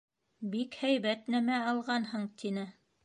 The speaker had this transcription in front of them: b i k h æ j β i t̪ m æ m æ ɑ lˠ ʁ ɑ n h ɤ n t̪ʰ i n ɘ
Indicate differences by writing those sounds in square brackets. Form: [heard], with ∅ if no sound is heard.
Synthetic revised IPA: b i k h æ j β [æ] t̪ [n] æ m æ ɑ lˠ ʁ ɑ n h ɤ [ɴ] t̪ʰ i n ɘ